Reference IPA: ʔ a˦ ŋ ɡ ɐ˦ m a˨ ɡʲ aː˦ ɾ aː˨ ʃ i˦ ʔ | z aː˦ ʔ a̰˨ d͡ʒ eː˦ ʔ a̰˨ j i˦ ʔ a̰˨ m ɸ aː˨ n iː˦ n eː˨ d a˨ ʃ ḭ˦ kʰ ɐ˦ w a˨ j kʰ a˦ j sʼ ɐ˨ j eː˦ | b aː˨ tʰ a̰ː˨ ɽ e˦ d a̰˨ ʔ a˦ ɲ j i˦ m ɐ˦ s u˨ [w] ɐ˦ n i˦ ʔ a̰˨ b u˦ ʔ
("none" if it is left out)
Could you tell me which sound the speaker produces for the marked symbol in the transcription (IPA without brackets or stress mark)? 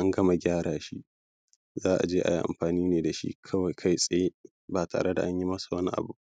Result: w